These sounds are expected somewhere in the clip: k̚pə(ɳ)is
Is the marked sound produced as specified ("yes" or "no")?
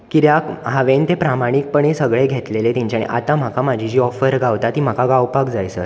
yes